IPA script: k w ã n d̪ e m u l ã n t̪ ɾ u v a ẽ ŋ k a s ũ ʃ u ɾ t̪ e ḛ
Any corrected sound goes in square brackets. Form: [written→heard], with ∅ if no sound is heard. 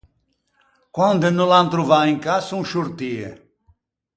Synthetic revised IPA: k w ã n d̪ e [m→n] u l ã n t̪ ɾ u v a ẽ ŋ k a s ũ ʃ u ɾ t̪ [e→i] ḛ